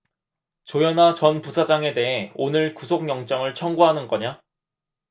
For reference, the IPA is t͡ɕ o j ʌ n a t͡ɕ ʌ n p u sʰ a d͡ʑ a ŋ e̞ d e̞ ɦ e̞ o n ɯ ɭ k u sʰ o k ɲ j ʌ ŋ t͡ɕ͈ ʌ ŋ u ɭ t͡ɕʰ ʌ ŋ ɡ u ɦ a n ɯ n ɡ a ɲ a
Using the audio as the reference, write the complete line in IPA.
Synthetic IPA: t͡ɕ o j ʌ n a t͡ɕ ʌ n p u sʰ a d͡ʑ a ŋ e̞ d e̞ ɦ e̞ o n ɯ ɭ k u sʰ o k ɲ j ʌ ŋ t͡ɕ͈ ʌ ŋ ɯ ɭ t͡ɕʰ ʌ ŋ ɡ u ɦ a n ɯ n ɡ ʌ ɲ a